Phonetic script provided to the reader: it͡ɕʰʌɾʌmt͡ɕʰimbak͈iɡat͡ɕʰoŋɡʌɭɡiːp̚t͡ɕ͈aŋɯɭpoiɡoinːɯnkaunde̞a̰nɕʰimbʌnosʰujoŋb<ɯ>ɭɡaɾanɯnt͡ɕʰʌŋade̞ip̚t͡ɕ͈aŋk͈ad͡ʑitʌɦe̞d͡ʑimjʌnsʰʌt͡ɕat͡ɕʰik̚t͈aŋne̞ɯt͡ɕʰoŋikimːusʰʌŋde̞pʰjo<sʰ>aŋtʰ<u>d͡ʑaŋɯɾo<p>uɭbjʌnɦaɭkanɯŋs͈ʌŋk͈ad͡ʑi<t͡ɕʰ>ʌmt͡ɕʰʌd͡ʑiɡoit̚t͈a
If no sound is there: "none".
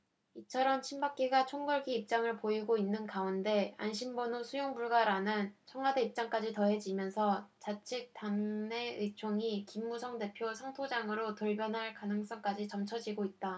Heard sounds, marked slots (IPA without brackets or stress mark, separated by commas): u, sʰ, o, t, t͡ɕ